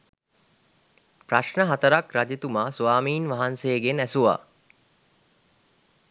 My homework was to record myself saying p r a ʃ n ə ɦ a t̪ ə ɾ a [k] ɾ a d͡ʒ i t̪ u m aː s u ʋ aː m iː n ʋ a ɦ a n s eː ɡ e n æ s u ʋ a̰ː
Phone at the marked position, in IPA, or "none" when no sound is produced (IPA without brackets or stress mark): k